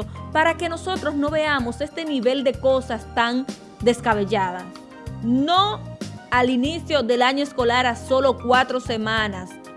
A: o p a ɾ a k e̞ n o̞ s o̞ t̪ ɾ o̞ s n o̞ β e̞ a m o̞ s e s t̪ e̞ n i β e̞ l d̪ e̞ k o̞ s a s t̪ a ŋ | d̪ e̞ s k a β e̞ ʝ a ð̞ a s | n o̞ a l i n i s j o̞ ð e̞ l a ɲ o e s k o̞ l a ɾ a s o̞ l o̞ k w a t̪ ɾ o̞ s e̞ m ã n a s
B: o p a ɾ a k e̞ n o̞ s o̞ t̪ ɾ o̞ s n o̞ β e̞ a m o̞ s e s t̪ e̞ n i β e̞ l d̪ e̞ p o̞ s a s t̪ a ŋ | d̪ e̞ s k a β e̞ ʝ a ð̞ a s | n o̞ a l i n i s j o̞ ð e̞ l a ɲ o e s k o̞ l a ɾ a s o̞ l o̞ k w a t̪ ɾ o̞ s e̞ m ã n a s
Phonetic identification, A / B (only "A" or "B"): A